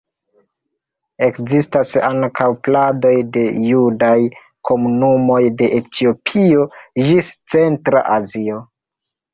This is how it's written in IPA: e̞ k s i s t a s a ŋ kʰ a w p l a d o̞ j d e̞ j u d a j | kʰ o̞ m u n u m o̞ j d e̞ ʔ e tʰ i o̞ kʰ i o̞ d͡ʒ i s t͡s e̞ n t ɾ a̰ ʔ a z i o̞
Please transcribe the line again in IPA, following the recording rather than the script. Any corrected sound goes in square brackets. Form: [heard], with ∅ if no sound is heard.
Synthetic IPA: e̞ k [z] i s t a s a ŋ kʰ a w p l a d o̞ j d e̞ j u d a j | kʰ o̞ m u n u m o̞ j d e̞ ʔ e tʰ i o̞ [pʰ] i o̞ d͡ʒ i s t͡s e̞ n t ɾ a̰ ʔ a z i o̞